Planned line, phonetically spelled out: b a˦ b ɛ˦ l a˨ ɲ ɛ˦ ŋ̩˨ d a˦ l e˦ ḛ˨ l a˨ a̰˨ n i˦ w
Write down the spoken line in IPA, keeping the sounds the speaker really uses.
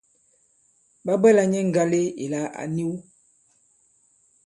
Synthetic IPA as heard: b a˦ b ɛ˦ l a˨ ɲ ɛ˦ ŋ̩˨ ɡ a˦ l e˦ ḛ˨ l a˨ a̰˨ n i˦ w